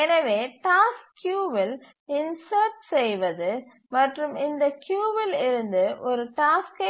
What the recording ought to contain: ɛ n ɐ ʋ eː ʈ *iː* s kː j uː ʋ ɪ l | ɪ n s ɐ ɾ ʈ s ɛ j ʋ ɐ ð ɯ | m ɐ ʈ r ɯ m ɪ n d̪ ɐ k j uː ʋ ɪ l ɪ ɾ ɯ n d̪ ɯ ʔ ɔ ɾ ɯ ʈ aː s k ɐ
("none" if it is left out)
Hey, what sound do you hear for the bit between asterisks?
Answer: aː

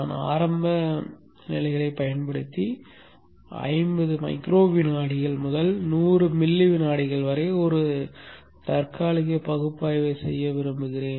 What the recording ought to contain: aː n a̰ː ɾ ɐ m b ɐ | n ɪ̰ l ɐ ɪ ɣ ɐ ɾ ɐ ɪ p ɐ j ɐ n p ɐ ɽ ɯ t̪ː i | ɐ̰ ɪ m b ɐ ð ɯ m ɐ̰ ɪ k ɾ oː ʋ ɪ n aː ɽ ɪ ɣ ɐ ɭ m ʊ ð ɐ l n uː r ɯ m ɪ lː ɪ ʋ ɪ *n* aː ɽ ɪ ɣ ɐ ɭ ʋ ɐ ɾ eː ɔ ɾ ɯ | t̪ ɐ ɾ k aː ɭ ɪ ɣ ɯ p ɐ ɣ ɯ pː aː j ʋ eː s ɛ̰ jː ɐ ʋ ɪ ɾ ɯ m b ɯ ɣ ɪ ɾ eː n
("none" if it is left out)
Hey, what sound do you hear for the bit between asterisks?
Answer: n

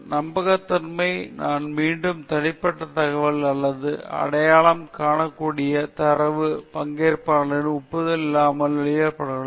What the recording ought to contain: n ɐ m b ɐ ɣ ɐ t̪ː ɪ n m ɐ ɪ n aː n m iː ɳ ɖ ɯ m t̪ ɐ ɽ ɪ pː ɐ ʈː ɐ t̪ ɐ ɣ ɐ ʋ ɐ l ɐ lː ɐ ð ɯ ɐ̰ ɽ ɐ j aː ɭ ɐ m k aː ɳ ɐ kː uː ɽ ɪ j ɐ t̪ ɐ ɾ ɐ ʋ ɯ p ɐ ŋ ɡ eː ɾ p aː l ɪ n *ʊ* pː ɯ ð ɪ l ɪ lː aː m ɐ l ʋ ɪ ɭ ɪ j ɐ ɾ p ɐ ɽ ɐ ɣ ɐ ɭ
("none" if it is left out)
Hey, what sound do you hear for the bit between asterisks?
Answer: ʊ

